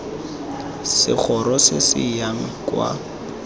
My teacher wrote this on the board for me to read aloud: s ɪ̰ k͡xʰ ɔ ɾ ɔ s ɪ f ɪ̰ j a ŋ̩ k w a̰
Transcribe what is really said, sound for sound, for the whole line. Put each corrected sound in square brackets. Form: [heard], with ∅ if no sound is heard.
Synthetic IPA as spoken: s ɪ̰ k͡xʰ ɔ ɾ ɔ s ɪ [s] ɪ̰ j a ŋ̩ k w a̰